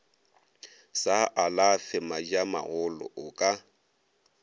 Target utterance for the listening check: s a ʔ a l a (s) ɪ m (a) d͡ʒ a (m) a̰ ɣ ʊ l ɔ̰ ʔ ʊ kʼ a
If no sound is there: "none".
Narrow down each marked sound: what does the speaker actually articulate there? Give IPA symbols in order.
f, a, m

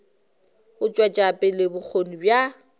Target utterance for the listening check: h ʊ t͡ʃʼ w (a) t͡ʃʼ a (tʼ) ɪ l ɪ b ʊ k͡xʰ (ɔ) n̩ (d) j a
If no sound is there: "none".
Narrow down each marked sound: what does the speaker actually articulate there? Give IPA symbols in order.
a, pʼ, o, b

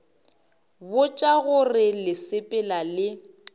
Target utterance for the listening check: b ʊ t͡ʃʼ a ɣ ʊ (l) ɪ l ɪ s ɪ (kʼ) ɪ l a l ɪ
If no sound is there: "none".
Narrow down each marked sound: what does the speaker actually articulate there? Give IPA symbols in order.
r, pʼ

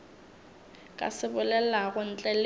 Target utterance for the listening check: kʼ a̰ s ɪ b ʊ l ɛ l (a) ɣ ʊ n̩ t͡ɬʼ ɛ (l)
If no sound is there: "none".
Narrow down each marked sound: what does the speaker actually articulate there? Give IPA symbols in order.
a, l

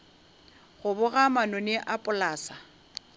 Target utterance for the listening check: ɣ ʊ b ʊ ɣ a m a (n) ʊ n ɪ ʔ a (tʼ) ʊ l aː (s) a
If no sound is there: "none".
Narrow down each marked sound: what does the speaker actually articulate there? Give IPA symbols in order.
n, pʼ, s

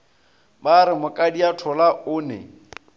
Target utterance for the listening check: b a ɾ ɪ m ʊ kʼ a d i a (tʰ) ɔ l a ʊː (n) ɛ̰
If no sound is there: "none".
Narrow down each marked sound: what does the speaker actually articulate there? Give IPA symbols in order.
tʰ, n

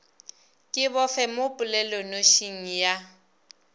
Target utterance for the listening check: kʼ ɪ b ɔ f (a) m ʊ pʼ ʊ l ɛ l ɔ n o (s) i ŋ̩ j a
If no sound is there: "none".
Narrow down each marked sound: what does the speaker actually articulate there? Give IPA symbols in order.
ɛ, ʃ

